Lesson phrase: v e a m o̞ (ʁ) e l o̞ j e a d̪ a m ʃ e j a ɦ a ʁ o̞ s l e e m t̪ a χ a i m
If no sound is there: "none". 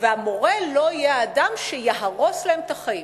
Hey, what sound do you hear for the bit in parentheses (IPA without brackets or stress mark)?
ʁ